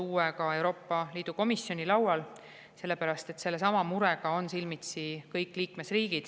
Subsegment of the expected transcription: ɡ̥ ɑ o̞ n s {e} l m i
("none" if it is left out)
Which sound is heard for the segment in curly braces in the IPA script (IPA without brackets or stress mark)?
i